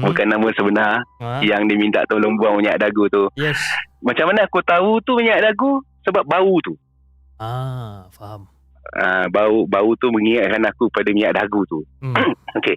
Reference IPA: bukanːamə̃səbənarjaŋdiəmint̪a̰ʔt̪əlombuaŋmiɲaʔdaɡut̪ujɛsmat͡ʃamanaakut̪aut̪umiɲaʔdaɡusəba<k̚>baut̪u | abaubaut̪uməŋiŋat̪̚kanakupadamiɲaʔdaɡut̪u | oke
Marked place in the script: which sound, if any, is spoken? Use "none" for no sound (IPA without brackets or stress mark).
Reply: p̚